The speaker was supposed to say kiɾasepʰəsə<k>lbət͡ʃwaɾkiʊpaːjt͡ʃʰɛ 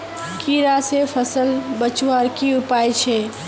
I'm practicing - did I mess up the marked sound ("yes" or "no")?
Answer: yes